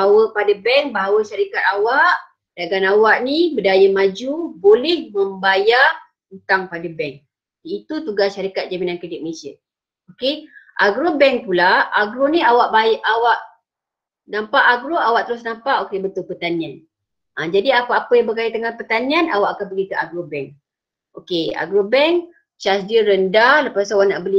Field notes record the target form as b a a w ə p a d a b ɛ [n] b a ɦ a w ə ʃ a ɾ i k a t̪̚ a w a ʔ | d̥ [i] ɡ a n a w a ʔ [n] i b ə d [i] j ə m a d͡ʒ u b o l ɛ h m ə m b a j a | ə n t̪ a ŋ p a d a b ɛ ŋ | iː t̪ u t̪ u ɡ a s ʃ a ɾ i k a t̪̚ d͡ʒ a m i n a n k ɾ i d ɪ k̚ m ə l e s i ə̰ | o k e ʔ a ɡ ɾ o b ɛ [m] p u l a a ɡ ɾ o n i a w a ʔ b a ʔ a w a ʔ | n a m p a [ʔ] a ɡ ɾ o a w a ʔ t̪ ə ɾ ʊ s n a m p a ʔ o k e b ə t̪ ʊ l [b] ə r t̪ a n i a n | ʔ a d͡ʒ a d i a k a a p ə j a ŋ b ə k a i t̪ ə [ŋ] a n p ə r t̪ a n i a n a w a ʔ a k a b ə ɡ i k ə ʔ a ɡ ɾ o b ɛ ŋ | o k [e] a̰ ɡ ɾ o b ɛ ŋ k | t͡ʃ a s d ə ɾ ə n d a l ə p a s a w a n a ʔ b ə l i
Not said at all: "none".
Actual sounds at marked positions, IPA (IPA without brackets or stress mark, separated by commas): ŋ, a, n, a, ŋ, ʔ, p, ŋ, e